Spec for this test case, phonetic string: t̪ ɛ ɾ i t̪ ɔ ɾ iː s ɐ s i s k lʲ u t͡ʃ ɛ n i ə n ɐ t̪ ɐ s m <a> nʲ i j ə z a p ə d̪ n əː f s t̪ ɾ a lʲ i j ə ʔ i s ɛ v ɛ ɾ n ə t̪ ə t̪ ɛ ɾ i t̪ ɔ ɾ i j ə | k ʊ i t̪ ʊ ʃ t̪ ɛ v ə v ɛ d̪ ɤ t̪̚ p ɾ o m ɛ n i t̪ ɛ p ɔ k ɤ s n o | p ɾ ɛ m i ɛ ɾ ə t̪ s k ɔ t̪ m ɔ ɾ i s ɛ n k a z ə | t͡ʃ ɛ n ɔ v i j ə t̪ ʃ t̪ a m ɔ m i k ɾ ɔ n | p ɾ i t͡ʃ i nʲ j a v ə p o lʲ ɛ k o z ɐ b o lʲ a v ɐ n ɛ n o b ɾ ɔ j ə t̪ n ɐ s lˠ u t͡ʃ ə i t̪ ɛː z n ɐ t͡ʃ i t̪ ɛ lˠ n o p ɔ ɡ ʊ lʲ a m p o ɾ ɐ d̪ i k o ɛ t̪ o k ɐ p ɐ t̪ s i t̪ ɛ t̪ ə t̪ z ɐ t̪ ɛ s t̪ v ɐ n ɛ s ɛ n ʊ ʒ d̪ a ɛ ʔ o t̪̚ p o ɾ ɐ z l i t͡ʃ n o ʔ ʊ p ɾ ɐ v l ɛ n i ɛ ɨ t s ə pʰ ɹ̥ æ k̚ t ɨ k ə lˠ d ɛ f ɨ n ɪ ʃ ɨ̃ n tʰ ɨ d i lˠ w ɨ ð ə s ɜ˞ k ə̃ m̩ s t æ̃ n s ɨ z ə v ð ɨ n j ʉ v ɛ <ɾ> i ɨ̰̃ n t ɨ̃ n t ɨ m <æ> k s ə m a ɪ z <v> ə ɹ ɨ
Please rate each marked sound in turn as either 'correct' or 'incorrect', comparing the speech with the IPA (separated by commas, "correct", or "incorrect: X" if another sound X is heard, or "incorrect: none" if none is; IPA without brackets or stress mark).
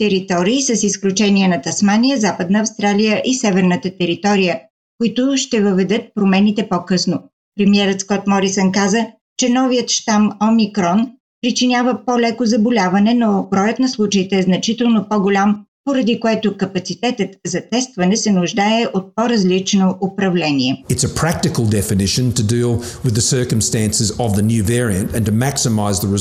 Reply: correct, incorrect: ɹ, correct, incorrect: ð